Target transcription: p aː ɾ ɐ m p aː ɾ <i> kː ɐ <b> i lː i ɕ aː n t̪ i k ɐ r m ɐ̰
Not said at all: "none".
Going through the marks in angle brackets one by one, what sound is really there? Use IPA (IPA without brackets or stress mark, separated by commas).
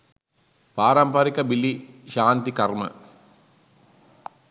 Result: i, b